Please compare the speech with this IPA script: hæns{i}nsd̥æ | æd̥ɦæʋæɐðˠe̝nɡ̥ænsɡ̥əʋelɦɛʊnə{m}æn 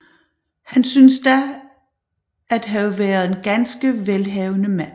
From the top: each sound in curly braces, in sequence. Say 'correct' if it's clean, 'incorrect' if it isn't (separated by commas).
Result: incorrect, correct